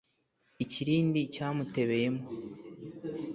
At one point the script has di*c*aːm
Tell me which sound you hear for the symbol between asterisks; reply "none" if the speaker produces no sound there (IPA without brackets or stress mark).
c